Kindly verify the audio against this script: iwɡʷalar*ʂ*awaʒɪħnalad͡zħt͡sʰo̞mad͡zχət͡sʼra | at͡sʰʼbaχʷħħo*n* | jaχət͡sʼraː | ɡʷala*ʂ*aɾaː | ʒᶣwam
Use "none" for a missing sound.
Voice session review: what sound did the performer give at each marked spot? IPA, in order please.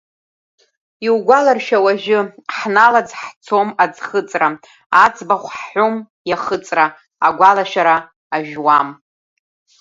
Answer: ʃ, m, ʃ

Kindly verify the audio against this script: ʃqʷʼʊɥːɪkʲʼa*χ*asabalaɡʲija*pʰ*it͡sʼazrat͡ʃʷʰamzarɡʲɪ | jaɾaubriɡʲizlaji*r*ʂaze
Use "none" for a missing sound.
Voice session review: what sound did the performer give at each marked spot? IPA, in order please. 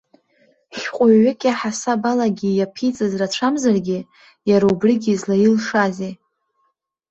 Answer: ħ, pʰ, l

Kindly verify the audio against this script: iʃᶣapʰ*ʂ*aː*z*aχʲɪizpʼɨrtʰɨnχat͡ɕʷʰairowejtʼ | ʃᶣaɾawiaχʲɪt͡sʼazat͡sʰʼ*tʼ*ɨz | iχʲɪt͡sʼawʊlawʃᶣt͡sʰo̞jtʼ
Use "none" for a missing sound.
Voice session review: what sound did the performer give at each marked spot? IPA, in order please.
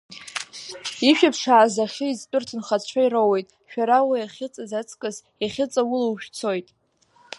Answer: ʂ, z, kʼ

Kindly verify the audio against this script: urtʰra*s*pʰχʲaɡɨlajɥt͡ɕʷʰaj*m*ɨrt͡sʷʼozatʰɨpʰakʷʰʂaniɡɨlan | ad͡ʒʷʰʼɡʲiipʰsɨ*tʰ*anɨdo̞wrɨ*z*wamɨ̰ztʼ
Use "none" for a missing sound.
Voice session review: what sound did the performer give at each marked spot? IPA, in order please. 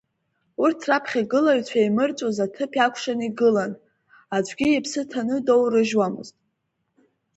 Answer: none, m, tʰ, ʒ

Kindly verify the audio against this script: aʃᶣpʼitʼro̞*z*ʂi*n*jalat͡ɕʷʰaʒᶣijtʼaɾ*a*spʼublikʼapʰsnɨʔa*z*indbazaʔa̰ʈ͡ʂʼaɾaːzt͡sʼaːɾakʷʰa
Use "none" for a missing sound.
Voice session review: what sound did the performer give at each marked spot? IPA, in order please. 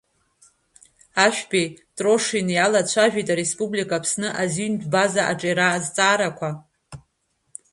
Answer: none, n, e, z

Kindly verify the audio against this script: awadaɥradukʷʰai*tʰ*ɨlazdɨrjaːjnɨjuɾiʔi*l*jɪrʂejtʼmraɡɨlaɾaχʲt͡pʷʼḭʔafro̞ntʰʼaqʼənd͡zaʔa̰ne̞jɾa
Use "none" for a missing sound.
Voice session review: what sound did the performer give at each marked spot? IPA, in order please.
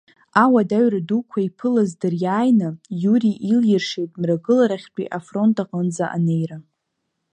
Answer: pʰ, l

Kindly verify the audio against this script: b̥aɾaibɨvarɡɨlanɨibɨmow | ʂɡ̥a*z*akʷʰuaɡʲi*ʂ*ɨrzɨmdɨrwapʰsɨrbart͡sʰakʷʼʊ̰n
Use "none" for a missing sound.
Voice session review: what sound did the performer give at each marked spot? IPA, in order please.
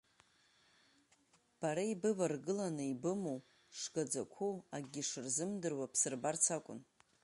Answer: d͡z, ʂ

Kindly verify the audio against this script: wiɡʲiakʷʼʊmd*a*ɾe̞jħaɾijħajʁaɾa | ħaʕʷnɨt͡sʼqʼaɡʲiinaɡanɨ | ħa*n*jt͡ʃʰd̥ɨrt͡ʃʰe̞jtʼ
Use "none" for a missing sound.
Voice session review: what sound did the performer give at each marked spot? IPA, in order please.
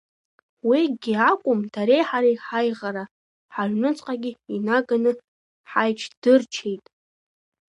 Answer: a, none

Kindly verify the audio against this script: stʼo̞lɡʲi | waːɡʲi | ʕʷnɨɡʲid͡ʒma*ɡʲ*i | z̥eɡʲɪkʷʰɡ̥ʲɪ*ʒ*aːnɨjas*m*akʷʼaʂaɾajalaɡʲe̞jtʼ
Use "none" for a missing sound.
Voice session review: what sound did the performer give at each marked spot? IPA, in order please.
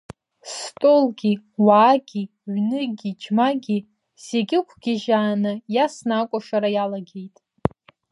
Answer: ɡʲ, ʒ, n

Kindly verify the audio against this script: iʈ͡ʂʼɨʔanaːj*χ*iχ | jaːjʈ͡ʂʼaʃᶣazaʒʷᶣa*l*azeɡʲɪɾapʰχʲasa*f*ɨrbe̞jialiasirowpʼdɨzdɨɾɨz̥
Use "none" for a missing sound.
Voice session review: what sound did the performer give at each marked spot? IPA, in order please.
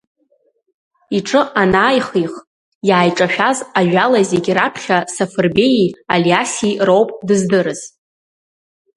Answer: χ, l, f

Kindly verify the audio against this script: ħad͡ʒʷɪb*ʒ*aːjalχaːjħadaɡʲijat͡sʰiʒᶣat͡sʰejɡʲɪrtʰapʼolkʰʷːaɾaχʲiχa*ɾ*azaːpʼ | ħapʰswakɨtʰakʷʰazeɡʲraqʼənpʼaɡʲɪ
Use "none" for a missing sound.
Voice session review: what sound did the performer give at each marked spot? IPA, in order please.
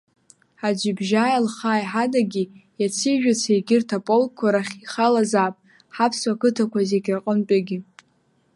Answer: ʒ, l

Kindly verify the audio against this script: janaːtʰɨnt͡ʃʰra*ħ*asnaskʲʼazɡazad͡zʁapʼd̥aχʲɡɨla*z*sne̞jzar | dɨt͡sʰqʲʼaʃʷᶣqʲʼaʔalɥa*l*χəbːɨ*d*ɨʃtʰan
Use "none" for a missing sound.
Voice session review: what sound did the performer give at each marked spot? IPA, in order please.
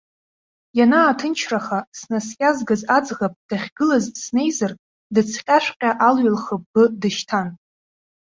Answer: χ, z, l, d

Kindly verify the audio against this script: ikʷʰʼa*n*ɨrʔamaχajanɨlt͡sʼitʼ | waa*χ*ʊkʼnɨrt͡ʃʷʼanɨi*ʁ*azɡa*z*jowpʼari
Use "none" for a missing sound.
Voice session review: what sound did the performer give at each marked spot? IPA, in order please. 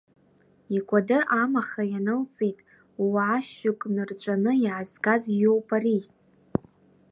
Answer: d, ʃ, ʕ, z

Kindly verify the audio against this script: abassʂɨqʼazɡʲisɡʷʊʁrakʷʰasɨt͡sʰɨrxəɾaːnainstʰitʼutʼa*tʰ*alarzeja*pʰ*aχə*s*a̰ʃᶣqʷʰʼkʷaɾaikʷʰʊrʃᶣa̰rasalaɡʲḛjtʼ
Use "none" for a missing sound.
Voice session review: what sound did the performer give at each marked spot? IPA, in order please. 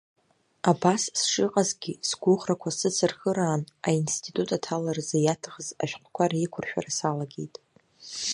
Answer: tʰ, tʰ, z

